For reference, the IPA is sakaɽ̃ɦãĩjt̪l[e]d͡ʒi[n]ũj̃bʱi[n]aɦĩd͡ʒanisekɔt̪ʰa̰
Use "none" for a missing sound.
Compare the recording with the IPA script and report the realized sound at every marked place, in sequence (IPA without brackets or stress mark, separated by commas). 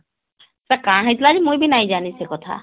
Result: a, m, n